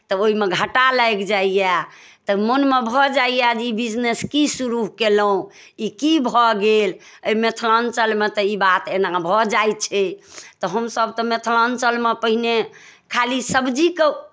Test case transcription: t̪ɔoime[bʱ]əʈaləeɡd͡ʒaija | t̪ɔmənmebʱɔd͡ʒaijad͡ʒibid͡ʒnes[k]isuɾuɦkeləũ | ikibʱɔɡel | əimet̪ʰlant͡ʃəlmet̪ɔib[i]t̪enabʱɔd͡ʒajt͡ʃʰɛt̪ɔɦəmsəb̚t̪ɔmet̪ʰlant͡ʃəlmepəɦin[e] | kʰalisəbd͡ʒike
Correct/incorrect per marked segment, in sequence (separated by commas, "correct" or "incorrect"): incorrect, correct, incorrect, correct